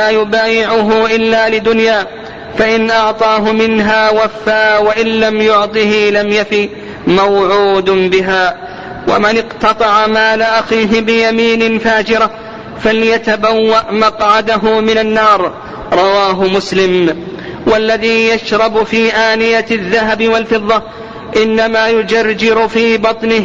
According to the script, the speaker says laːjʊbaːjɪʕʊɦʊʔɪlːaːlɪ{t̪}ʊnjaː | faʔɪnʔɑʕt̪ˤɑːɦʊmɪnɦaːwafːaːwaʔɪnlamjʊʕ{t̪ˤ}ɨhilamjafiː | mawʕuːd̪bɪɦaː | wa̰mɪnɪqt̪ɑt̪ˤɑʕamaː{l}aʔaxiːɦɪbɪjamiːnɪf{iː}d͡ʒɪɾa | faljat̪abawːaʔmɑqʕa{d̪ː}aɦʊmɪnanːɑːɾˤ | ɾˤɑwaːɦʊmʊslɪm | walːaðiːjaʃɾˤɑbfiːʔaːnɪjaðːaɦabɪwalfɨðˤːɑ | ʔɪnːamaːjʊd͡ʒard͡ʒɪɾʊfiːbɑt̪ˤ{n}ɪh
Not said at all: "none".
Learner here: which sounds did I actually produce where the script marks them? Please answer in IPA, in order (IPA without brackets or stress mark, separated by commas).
d̪, t̪ˤ, l, aː, d̪, n